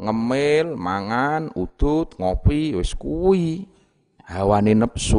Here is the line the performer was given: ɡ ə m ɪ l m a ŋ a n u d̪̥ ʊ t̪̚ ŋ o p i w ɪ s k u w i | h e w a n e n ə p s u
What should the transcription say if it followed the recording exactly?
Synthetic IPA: ŋ ə m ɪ l m a ŋ a n u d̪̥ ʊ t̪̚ ŋ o p i w ɪ s k u w i | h a w a n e n ə p s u